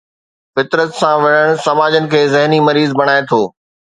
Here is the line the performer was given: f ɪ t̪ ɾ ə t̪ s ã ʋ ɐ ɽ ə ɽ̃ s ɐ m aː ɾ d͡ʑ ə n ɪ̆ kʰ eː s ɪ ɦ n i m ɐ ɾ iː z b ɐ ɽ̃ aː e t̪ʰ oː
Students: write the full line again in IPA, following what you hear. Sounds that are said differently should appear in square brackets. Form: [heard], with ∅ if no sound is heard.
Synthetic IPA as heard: f ɪ t̪ ɾ ə t̪ s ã ʋ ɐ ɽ ə ɽ̃ s ɐ m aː [∅] d͡ʑ ə n ɪ̆ kʰ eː [z] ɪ ɦ n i m ɐ ɾ iː z b ɐ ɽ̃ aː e t̪ʰ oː